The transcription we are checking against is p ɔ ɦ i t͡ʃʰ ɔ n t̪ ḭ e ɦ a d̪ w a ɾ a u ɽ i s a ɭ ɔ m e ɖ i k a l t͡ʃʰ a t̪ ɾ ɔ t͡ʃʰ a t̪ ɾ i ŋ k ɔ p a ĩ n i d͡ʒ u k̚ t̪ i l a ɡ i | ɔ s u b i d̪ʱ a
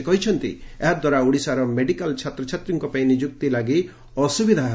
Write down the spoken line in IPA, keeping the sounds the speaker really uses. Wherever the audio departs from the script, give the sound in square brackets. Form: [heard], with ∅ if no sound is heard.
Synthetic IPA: [k] ɔ ɦ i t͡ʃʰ ɔ n t̪ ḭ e ɦ a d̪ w a ɾ a u ɽ i s a [ɾ] ɔ m e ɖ i k a l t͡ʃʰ a t̪ ɾ ɔ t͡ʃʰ a t̪ ɾ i ŋ k ɔ p a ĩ n i d͡ʒ u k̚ t̪ i l a ɡ i | ɔ s u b i d̪ʱ a